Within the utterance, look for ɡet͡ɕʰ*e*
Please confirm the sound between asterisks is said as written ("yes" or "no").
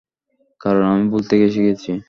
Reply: no